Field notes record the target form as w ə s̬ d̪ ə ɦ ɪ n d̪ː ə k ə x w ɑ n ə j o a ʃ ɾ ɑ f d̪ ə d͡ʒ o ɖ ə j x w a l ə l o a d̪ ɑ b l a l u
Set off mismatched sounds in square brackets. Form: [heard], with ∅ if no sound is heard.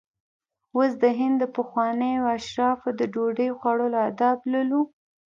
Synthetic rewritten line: w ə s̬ d̪ ə ɦ ɪ n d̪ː ə [p] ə x w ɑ n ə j o a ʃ ɾ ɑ f d̪ ə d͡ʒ o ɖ ə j x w a [ɽ] ə l o a d̪ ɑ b l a l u